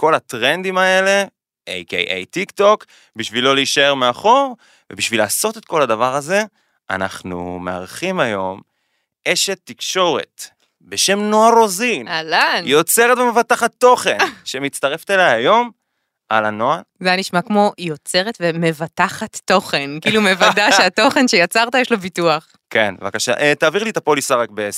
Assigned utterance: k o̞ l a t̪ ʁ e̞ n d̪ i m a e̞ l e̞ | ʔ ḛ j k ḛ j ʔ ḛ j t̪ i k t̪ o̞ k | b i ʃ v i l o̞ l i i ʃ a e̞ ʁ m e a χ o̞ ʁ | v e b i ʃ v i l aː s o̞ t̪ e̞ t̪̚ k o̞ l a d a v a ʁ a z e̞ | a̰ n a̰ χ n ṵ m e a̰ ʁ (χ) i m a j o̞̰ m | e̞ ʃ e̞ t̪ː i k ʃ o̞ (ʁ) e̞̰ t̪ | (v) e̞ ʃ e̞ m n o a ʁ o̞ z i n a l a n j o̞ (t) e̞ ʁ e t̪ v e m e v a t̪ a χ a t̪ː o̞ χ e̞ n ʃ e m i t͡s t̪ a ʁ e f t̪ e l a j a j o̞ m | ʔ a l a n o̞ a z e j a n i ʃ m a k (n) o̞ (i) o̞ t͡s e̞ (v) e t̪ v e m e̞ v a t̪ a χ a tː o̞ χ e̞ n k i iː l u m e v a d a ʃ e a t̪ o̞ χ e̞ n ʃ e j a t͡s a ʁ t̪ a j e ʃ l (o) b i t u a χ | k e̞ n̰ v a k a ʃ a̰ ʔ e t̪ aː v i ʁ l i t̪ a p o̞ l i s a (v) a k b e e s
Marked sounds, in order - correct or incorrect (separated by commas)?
correct, correct, incorrect, incorrect, incorrect, incorrect, incorrect, correct, incorrect